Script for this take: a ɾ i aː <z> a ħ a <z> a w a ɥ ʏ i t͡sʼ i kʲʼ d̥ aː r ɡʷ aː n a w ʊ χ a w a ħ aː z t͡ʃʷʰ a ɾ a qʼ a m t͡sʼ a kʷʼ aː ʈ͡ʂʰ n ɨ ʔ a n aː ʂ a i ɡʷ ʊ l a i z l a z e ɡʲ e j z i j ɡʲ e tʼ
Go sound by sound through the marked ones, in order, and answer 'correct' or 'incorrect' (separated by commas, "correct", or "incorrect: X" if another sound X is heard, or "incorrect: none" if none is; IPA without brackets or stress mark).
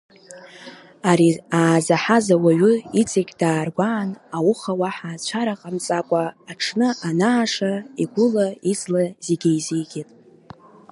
correct, correct